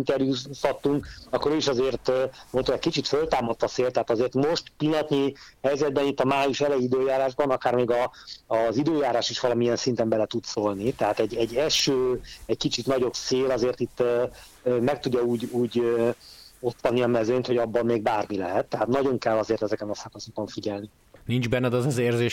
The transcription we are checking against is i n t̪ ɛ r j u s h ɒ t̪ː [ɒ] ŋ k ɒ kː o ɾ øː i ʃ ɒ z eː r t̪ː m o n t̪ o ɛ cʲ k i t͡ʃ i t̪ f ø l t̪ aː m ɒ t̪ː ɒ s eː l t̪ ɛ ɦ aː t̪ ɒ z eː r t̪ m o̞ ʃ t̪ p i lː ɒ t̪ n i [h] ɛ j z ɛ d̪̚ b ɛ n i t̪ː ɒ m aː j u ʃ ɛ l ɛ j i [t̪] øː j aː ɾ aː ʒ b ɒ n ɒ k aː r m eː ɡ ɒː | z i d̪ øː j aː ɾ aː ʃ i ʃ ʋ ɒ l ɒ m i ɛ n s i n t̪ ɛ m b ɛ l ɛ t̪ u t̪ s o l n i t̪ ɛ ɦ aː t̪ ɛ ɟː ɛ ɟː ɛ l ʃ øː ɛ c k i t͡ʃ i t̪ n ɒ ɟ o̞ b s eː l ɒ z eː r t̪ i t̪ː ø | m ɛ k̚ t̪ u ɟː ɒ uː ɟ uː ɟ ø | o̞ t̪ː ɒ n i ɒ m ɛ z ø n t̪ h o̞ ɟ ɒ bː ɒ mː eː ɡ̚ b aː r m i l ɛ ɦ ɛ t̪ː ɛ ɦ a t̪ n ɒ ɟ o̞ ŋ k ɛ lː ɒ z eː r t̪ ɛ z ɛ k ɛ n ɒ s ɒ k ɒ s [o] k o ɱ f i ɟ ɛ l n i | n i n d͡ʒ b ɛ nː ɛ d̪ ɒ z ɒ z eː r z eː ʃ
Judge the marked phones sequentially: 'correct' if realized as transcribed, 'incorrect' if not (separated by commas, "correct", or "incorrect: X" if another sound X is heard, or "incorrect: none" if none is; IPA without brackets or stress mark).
incorrect: u, correct, incorrect: d̪, correct